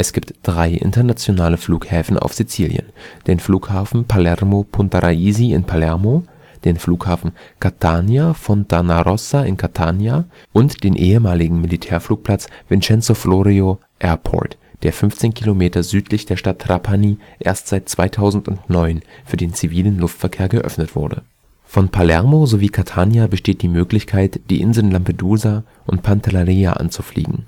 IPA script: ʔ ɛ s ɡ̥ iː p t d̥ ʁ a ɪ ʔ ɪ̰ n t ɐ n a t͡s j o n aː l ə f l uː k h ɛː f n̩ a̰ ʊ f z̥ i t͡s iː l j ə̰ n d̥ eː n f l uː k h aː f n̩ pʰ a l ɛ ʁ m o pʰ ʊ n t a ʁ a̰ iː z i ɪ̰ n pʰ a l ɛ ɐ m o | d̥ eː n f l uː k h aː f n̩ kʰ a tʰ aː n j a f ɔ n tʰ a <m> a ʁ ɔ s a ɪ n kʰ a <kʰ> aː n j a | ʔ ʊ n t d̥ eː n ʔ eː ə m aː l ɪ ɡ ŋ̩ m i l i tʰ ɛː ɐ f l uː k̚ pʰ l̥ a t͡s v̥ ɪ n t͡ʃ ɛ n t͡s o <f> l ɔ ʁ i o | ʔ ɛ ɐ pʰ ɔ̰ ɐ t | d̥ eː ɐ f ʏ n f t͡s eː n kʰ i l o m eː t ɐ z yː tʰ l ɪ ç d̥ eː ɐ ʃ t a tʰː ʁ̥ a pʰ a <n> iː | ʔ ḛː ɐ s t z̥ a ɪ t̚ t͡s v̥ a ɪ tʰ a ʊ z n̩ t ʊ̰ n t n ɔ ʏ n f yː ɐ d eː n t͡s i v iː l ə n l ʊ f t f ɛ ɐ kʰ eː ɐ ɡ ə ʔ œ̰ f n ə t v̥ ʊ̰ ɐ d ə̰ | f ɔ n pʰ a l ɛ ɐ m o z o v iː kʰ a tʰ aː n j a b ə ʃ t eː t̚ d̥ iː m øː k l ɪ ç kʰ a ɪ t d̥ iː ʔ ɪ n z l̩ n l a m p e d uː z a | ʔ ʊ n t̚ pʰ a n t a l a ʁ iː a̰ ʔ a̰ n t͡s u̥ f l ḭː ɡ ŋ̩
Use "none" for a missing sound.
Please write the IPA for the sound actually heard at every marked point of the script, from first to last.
n, tʰ, f, n

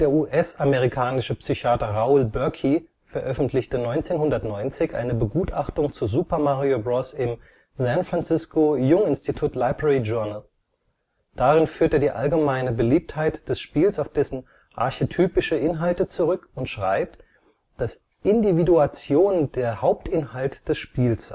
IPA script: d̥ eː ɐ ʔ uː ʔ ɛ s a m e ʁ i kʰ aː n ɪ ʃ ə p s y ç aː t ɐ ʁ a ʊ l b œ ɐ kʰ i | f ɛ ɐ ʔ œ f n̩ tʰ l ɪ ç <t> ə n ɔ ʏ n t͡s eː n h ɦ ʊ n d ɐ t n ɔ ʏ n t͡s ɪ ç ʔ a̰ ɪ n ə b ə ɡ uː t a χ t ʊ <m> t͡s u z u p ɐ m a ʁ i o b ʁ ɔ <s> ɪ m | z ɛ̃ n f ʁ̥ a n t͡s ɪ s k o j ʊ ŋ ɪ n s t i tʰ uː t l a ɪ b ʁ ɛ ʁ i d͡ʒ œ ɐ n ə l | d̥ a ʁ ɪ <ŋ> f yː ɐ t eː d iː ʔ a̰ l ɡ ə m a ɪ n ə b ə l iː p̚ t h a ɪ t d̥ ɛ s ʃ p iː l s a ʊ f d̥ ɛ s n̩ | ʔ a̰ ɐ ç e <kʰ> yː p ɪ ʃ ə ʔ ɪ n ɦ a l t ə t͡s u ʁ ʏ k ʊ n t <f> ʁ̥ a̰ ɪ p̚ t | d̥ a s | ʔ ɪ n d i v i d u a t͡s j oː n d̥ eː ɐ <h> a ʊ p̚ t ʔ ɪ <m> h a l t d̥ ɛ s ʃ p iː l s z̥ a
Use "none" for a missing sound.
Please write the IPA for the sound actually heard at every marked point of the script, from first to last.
t, ŋ, s, n, tʰ, ʃ, h, n

